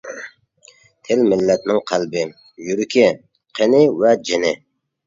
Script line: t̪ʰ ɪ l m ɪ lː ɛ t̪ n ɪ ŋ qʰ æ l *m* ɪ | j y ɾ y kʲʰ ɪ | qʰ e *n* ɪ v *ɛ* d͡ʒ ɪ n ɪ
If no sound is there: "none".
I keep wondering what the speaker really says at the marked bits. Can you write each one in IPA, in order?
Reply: b, n, ɛ

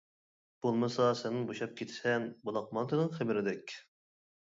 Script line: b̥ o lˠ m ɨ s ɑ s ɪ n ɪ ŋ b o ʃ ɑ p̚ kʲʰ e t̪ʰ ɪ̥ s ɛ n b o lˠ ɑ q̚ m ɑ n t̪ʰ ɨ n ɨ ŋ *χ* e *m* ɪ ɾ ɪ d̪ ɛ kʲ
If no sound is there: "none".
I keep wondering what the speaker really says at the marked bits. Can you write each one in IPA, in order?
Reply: χ, b

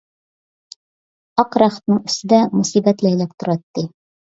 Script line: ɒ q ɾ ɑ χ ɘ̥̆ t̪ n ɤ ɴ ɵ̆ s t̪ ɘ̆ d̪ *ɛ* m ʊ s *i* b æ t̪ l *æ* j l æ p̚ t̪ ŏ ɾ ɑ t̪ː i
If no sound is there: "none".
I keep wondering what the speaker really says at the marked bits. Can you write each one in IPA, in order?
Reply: æ, i, æ

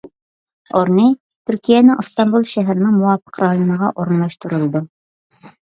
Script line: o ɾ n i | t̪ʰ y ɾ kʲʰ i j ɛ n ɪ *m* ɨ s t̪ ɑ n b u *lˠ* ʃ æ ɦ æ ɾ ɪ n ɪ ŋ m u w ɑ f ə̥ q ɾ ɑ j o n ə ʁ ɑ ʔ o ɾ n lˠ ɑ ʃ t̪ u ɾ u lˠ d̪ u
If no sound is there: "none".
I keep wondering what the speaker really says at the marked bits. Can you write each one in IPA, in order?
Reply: ŋ, lˠ

